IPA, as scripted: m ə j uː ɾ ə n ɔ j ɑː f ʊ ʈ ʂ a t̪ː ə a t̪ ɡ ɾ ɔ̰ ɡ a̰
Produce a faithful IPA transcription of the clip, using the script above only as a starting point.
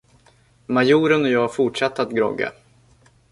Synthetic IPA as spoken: m a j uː ɾ ə n ɔ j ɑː f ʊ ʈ ʂ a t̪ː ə a t̪ ɡ ɾ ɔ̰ ɡ a̰